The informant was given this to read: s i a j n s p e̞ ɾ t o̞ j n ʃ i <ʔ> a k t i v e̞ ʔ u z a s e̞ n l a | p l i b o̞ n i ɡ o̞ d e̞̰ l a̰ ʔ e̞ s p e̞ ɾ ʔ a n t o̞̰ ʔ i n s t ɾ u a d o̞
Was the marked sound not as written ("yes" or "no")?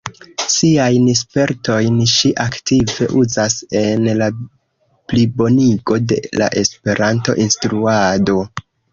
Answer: no